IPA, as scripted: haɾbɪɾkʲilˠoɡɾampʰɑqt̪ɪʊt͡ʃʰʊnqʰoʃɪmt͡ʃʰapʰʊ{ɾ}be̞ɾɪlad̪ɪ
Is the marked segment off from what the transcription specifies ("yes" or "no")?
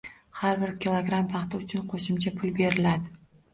yes